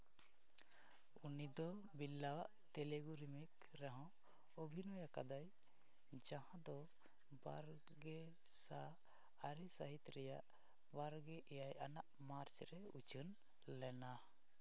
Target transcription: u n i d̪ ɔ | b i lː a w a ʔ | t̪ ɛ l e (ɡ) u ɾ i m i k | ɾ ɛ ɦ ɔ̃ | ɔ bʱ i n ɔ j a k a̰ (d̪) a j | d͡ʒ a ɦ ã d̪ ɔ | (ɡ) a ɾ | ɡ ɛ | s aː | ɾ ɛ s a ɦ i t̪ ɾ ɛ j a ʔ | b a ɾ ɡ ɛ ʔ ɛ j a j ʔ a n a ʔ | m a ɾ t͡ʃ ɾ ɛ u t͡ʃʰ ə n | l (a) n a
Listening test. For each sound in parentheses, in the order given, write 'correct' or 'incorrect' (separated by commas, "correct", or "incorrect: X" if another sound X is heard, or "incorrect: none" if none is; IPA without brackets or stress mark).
correct, correct, incorrect: b, incorrect: ɛ